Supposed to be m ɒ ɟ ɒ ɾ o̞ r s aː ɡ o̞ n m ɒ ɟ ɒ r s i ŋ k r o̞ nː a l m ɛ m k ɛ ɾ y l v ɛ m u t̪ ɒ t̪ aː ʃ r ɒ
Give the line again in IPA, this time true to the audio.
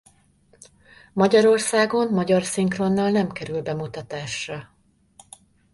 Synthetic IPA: m ɒ ɟ ɒ ɾ o̞ r s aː ɡ o̞ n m ɒ ɟ ɒ r s i ŋ k r o̞ nː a l n ɛ m k ɛ ɾ y l b ɛ m u t̪ ɒ t̪ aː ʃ r ɒ

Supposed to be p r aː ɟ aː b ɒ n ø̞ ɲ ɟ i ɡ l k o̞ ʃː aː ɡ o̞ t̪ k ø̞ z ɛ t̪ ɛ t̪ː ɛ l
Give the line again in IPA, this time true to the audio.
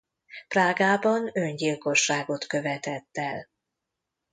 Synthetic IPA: p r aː ɡ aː b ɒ n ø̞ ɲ ɟ i l k o̞ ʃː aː ɡ o̞ t̪ k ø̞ v ɛ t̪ ɛ t̪ː ɛ l

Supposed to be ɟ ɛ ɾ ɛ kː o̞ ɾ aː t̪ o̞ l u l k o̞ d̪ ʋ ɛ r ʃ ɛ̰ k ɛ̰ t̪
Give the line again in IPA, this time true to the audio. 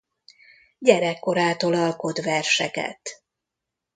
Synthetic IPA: ɟ ɛ ɾ ɛ kː o̞ ɾ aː t̪ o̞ l ɒ l k o̞ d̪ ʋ ɛ r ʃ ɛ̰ k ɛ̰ t̪

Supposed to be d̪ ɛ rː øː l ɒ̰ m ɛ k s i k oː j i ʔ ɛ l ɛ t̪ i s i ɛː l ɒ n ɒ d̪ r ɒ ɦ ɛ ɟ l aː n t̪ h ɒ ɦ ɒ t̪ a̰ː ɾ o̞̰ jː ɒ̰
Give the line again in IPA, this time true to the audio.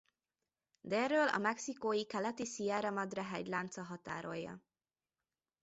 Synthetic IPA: d̪ ɛ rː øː l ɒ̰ m ɛ k s i k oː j i k ɛ l ɛ t̪ i s i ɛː ɾ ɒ m ɒ d̪ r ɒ ɦ ɛ ɟ l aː n t̪ s ɒ ɦ ɒ t̪ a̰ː ɾ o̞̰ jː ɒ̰

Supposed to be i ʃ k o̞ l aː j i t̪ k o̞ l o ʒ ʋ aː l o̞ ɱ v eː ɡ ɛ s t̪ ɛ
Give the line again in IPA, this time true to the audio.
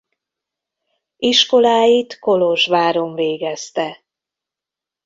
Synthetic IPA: i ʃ k o̞ l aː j i t̪ k o̞ l o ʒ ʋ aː ɾ o̞ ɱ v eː ɡ ɛ s t̪ ɛ

